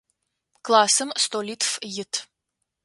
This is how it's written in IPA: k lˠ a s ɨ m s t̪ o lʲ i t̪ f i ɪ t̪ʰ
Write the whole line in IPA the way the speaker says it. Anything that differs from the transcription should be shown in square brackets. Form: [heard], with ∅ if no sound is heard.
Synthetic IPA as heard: k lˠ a s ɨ m s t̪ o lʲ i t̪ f [j] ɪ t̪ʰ